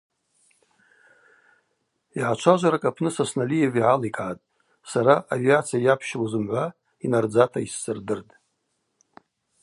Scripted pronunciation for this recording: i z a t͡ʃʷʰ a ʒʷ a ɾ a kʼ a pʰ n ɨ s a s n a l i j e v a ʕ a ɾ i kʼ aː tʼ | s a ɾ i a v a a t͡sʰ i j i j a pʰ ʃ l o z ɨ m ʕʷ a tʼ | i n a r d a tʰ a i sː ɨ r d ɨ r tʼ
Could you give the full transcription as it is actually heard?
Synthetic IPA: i ʕ a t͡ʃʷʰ a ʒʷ a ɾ a kʼ a pʰ n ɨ s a s n a l i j e v i ʕ a l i kʼ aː tʼ | s a ɾ a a v i a t͡sʰ i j a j a pʰ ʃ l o z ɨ m ʕʷ a | i n a r d͡z a tʰ a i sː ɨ r d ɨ r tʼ

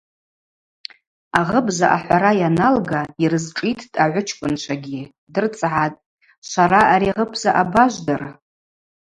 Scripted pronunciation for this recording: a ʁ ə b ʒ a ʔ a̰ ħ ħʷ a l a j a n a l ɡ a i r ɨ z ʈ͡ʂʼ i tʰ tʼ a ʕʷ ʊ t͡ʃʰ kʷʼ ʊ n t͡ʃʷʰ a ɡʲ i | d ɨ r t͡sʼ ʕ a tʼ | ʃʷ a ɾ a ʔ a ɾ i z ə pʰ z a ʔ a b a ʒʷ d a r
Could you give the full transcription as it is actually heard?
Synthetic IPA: a ʁ ə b z a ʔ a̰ ħ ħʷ a ɾ a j a n a l ɡ a i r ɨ z ʈ͡ʂʼ i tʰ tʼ a ʕʷ ʊ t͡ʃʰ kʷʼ ʊ n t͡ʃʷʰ a ɡʲ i | d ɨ r t͡sʼ ʕ a tʼ | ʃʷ a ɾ a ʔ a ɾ i ʁ ə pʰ z a ʔ a b a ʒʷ d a r

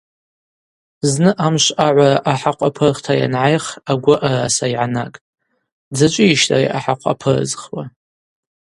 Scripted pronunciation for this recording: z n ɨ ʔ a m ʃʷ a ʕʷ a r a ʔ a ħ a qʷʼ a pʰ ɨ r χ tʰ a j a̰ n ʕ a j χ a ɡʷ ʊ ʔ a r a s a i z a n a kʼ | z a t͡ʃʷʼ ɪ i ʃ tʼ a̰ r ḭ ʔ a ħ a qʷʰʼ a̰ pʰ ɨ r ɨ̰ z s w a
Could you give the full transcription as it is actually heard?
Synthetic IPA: z n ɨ ʔ a m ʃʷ a ʕʷ a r a ʔ a ħ a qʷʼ a pʰ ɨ r χ tʰ a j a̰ n ʕ a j χ a ɡʷ ʊ ʔ a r a s a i ʕ a n a kʼ | d͡z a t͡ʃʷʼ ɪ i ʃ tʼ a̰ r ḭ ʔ a ħ a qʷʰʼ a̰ pʰ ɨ r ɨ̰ z χ w a

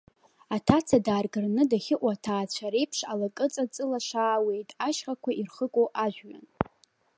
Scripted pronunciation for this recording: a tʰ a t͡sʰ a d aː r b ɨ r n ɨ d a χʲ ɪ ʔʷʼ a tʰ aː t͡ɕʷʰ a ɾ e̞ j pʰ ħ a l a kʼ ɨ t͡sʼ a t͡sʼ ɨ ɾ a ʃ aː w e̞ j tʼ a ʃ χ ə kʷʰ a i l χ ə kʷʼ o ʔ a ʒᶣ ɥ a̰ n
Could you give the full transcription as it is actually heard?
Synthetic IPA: a tʰ a t͡sʰ a d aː r ɡ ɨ r n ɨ d a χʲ ɪ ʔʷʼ a tʰ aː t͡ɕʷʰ a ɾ e̞ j pʰ ʂ a l a kʼ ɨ t͡sʼ a t͡sʼ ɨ l a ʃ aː w e̞ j tʼ a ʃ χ a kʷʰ a i r χ ə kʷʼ o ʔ a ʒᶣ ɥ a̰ n

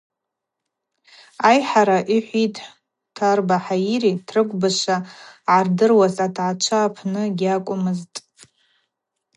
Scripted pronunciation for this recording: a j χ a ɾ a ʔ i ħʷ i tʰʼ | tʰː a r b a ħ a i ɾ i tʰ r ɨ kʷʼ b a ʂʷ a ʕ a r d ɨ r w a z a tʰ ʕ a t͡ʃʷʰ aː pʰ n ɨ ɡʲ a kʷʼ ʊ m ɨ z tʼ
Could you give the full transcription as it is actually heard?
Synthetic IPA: a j ħ a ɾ a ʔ i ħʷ i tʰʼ | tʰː a r b a ħ a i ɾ i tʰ r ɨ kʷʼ b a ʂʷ a ʕ a r d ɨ r w a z a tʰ ʕ a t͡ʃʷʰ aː pʰ n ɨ ɡʲ a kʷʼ ʊ m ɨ z tʼ

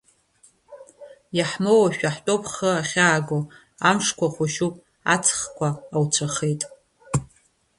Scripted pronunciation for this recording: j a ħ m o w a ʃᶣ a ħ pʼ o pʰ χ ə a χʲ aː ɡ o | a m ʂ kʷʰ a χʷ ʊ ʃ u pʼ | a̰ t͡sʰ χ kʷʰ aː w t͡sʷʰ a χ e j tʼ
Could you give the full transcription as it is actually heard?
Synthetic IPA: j a ħ m o w a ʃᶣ a ħ tʼ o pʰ χ ə a χʲ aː ɡ o | a m ʂ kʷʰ a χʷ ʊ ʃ u pʼ | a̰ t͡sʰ χ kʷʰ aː w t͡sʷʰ a χ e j tʼ

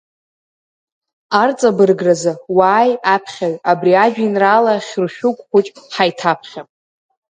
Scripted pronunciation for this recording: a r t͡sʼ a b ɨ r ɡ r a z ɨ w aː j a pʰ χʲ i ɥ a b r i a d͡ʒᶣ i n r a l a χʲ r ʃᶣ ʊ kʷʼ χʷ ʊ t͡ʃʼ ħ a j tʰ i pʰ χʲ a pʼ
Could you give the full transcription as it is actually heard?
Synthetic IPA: a r t͡sʼ a b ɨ r ɡ r a z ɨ w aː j a pʰ χʲ a ɥ a b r i a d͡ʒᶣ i n r a l a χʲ r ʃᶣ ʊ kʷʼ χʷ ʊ t͡ʃʼ ħ a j tʰ a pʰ χʲ a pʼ

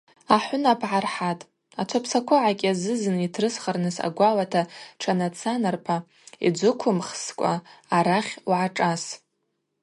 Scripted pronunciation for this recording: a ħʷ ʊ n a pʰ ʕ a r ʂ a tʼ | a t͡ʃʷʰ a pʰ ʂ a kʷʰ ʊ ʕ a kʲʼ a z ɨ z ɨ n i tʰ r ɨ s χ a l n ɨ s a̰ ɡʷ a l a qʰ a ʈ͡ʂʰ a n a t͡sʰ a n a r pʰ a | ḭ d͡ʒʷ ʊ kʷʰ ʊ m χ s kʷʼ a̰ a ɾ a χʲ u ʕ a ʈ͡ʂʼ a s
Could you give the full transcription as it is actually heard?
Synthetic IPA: a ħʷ ʊ n a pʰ ʕ a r ħ a tʼ | a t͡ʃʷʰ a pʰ s a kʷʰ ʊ ʕ a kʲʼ a z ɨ z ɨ n i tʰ r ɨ s χ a r n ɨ s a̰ ɡʷ a l a tʰ a ʈ͡ʂʰ a n a t͡sʰ a n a r pʰ a | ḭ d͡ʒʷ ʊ kʷʰ ʊ m χ s kʷʼ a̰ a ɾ a χʲ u ʕ a ʈ͡ʂʼ a s

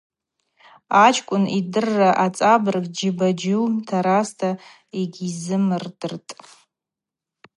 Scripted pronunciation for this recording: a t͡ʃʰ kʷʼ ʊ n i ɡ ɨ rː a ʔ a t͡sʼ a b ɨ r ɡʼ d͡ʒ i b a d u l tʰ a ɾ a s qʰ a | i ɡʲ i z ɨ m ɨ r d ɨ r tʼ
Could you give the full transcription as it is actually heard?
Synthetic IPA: a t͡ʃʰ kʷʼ ʊ n i d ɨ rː a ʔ a t͡sʼ a b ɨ r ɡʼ d͡ʒ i b a d͡ʒ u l tʰ a ɾ a s tʰ a | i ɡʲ i z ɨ m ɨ r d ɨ r tʼ

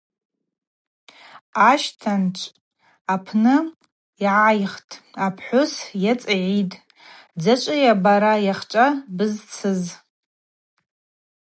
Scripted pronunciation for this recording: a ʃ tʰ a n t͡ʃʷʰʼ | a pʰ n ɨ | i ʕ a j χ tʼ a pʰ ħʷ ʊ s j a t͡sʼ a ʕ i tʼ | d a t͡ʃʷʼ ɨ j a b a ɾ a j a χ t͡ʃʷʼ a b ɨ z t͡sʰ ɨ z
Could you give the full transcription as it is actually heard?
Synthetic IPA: a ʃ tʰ a n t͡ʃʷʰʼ | a pʰ n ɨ | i ʕ a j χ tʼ a pʰ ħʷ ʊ s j a t͡sʼ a ʕ i tʼ | d͡z a t͡ʃʷʼ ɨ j a b a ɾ a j a χ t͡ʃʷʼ a b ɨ z t͡sʰ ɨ z

